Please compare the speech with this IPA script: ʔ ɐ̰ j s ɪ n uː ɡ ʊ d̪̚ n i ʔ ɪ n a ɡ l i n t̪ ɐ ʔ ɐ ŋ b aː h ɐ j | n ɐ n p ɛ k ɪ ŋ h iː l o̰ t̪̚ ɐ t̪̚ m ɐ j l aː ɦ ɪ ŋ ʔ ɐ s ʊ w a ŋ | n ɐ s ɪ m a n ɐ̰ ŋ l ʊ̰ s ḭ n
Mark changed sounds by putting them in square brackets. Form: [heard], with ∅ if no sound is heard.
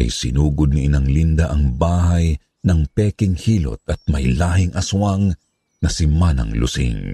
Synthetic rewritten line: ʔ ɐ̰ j s ɪ n uː ɡ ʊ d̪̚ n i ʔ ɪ n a [ŋ] l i n [d̪] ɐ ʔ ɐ ŋ b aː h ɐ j | n ɐ [ŋ] p ɛ k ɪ ŋ h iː l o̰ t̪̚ ɐ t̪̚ m ɐ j l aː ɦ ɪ ŋ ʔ ɐ s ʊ w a ŋ | n ɐ s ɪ m a n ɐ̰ ŋ l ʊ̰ s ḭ [ŋ]